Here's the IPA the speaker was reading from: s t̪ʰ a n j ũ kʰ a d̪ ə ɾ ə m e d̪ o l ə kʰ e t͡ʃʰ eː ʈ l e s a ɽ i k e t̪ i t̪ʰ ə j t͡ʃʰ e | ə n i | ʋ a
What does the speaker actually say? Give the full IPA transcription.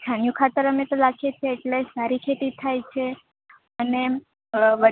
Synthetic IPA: s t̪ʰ a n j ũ kʰ a t̪ ə ɾ ə m e t̪ o l a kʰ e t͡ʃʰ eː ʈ l e s a ɾ i kʰ e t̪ i t̪ʰ a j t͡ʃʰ e | ə n e | ʋ ə